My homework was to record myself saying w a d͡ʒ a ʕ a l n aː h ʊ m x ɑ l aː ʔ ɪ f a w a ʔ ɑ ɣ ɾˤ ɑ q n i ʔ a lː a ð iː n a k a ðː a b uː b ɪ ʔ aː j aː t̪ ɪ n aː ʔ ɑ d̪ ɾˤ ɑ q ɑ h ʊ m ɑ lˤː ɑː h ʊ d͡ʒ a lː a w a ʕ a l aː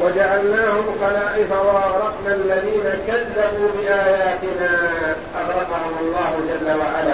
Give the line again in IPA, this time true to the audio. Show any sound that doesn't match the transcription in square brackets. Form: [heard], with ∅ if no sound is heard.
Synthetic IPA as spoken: w a d͡ʒ a ʕ a l n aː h ʊ m x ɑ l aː ʔ ɪ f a w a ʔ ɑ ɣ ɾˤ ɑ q n [a] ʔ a lː a ð iː n a k a ðː a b uː b ɪ ʔ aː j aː t̪ ɪ n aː ʔ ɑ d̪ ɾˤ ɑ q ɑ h ʊ m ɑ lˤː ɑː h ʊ d͡ʒ a lː a w a ʕ a l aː